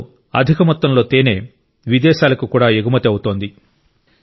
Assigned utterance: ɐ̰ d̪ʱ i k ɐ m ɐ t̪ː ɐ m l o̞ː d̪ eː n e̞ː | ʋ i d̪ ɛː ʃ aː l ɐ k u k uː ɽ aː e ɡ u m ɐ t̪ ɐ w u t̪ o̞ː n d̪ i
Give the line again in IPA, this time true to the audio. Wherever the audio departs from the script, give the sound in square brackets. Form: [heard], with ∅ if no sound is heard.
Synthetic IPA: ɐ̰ d̪ʱ i k ɐ m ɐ t̪ː ɐ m l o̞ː [t̪] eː n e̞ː | ʋ i d̪ ɛː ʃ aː l ɐ k u k uː ɽ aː e ɡ u m ɐ t̪ ɐ w u t̪ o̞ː n d̪ i